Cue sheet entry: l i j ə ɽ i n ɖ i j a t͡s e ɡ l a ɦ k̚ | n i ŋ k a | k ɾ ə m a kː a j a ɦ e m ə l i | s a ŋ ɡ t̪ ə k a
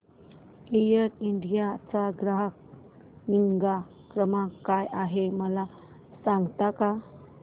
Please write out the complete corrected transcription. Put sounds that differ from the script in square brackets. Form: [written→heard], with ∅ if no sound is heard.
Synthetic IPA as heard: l i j ə [ɽ→ɾ] i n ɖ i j a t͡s [e→a] ɡ [l→ɾ] a ɦ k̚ | n i ŋ [k→ɡ] a | k ɾ ə m a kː a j a ɦ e m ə l [i→a] | s a ŋ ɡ t̪ [ə→a] k a